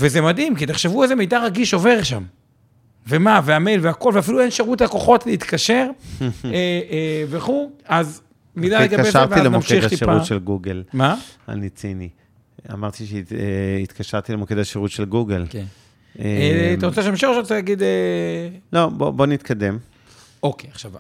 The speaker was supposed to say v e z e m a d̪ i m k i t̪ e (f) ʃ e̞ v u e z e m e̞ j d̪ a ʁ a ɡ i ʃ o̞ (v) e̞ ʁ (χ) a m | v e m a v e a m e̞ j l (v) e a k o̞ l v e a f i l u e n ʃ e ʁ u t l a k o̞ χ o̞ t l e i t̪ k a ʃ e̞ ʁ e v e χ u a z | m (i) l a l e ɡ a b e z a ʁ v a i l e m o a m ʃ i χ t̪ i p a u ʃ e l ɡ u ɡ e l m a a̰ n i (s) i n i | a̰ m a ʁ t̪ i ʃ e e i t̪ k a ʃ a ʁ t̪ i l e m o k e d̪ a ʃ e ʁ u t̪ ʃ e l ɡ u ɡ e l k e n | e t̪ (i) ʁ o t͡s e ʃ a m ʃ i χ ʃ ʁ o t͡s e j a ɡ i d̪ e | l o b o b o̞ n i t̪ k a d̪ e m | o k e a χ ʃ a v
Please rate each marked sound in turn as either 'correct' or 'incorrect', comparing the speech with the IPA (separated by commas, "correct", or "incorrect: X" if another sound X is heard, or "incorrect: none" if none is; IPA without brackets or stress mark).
incorrect: χ, correct, incorrect: ʃ, correct, correct, incorrect: t͡s, incorrect: a